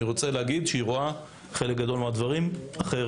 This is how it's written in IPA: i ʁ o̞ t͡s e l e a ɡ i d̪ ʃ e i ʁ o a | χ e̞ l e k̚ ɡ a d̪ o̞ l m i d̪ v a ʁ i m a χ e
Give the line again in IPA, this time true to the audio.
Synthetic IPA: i ʁ o̞ t͡s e l e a ɡ i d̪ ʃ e i ʁ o a | χ e̞ l e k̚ ɡ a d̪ o̞ l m a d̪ v a ʁ i m a χ e